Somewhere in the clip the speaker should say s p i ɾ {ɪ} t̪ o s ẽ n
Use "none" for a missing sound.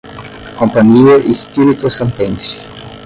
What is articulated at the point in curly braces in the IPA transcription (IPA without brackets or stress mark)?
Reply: i